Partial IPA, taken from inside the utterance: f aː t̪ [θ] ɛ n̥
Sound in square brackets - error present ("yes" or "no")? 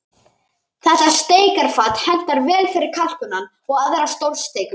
yes